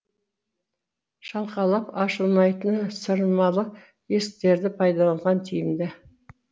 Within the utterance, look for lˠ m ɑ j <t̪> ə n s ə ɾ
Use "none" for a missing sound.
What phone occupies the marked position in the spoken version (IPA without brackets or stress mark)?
t̪